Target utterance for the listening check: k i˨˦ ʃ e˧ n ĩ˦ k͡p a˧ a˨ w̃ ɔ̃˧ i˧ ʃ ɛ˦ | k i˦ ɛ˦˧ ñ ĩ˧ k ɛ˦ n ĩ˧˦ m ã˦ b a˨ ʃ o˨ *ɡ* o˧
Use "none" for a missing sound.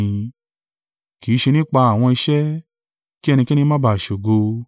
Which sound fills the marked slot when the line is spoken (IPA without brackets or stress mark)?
ɡ